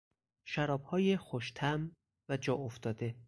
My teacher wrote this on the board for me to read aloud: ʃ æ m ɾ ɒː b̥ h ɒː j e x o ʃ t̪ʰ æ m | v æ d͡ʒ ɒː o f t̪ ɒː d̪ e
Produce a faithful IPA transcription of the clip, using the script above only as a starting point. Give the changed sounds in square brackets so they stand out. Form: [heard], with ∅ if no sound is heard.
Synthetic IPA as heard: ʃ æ [∅] ɾ ɒː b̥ h ɒː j e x o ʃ t̪ʰ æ m | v æ d͡ʒ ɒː o f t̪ ɒː d̪ e